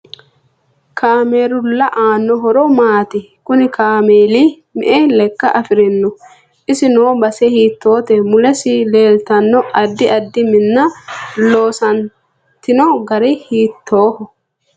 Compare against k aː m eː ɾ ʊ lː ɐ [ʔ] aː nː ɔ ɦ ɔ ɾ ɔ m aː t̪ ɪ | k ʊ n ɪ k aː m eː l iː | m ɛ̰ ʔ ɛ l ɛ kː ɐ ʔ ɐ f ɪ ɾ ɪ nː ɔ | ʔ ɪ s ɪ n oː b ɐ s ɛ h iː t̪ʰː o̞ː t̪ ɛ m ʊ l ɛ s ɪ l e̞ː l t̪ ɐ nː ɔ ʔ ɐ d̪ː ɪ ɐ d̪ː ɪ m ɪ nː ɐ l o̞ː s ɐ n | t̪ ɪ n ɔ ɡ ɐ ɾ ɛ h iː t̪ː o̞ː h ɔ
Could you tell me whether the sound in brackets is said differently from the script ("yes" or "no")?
no